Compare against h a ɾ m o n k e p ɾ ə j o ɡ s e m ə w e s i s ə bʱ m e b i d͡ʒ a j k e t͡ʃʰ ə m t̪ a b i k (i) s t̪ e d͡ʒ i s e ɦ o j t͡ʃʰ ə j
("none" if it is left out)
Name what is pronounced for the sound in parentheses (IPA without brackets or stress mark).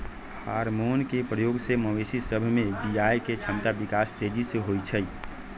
a